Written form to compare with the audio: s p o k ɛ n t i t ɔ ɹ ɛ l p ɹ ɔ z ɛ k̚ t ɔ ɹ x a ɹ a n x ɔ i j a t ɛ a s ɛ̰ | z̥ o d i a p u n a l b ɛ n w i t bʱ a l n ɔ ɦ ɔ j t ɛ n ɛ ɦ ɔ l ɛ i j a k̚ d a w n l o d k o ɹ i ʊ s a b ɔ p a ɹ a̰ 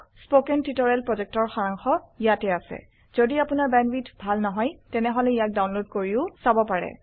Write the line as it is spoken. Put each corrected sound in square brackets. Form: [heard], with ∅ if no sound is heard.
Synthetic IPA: s p o k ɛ n t i t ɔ ɹ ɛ l p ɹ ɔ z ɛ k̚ t ɔ ɹ x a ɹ a [ŋ] x ɔ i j a t ɛ a s ɛ̰ | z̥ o d i a p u n a [ɹ] b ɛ n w i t bʱ a l n ɔ ɦ ɔ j t ɛ n ɛ ɦ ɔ l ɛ i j a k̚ d a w n l o d k o ɹ i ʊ s a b ɔ p a ɹ [ɛ̰]

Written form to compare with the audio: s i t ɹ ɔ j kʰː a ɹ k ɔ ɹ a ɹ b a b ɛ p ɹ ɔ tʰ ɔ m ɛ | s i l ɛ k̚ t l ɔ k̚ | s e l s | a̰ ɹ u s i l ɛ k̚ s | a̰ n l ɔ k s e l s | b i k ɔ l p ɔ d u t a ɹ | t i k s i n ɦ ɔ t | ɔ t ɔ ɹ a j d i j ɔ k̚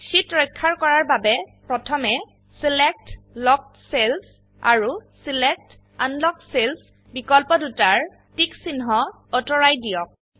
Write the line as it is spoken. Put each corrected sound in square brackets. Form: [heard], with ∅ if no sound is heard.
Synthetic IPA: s i t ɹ ɔ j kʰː a ɹ k ɔ ɹ a ɹ b a b ɛ p ɹ ɔ tʰ ɔ m ɛ | s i l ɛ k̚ t l ɔ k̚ | s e l s | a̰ ɹ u s i l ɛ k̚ [t] | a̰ n l ɔ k s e l s | b i k ɔ l p ɔ d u t a ɹ | t i k s i n ɦ ɔ [∅] | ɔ t ɔ ɹ a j d i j ɔ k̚

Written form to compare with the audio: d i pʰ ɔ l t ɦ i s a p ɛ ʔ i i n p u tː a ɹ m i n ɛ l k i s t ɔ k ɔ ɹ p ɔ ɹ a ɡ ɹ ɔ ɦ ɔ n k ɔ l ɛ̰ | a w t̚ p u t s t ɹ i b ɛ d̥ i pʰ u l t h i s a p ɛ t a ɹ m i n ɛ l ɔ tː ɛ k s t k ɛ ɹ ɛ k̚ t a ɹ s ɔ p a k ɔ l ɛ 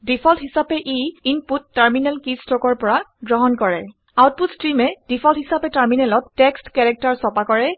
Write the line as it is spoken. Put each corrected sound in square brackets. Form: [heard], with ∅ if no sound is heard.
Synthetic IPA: d i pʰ ɔ l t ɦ i s a p ɛ ʔ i i n p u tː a ɹ m i n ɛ l k i s t ɔ k ɔ ɹ p ɔ ɹ a ɡ ɹ ɔ ɦ ɔ n k ɔ [ɹ] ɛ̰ | a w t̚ p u t s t ɹ i [m] ɛ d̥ i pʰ [ɔ] l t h i s a p ɛ t a ɹ m i n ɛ l ɔ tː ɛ k s t k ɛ ɹ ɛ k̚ t a ɹ s ɔ p a k ɔ [ɹ] ɛ

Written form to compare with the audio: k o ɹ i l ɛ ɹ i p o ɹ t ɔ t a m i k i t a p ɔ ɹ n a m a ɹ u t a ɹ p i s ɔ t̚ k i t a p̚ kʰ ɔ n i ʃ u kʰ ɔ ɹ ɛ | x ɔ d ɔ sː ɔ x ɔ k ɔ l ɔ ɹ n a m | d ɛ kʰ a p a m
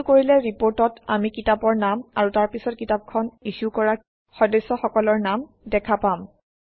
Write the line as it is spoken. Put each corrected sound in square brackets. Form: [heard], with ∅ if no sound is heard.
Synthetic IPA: k o ɹ i l ɛ ɹ i p o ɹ t ɔ t a m i k i t a p ɔ ɹ n a m a ɹ u t a ɹ p i s ɔ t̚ k i t a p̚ kʰ ɔ n i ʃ u [k] ɔ ɹ [a] | x ɔ d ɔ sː ɔ x ɔ k ɔ l ɔ ɹ n a m | d ɛ kʰ a p a m

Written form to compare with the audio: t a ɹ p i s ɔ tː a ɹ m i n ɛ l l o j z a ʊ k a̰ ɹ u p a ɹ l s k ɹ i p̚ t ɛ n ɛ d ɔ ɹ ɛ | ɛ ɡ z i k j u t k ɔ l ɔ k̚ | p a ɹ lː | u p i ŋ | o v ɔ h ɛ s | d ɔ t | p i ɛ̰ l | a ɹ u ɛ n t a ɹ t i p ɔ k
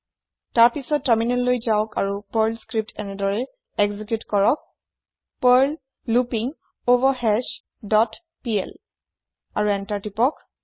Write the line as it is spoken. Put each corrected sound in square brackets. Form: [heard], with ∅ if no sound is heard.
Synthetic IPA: t a ɹ p i s ɔ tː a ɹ m i n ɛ l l o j z a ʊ k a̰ ɹ u p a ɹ l s k ɹ i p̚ t ɛ n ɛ d ɔ ɹ ɛ | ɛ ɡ z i k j u t k ɔ [ɹ] ɔ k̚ | p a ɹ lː | u p i ŋ | o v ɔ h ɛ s | d ɔ t | p i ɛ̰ l | a ɹ u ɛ n t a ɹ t i p ɔ k

